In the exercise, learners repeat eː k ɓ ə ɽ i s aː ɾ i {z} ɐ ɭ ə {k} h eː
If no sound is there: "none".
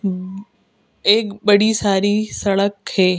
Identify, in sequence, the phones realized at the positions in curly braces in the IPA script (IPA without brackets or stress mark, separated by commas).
s, k